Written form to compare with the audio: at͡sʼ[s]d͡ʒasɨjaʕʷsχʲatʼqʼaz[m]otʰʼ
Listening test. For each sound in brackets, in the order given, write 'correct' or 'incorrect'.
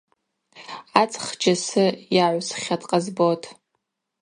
incorrect: χ, incorrect: b

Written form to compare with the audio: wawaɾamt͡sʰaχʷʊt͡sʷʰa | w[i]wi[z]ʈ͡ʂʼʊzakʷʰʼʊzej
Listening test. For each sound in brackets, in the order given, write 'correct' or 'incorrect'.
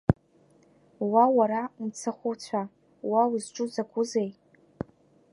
incorrect: a, correct

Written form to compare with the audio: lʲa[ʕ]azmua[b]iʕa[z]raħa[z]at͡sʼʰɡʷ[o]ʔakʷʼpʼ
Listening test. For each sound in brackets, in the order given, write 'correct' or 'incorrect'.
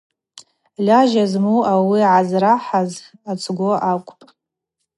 incorrect: ʒ, incorrect: w, correct, correct, correct

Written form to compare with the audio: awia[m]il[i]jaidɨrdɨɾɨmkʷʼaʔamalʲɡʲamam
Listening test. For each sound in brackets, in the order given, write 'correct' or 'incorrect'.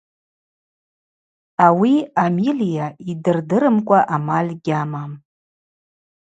correct, correct

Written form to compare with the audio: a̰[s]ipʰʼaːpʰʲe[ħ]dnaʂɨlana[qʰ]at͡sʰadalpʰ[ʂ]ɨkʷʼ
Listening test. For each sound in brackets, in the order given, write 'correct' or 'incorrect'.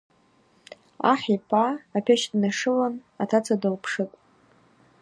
incorrect: ħ, incorrect: ʃ, incorrect: tʰ, correct

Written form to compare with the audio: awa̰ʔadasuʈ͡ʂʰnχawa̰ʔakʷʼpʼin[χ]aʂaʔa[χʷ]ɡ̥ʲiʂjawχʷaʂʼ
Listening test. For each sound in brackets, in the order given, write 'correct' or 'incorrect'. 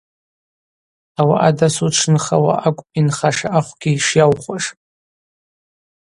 correct, correct

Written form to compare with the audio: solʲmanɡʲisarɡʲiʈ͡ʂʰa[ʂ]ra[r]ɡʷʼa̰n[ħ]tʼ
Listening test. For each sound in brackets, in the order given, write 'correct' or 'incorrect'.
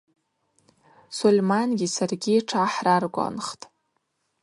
incorrect: ħ, correct, incorrect: χ

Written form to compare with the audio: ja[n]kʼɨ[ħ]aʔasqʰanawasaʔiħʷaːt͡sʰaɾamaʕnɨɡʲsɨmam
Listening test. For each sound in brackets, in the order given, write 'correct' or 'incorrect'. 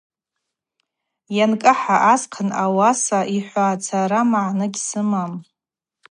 correct, correct

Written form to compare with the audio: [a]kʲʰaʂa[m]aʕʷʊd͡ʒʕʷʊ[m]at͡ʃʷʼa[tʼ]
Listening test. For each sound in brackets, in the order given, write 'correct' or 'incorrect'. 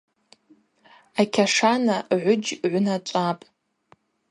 correct, incorrect: n, incorrect: n, incorrect: pʼ

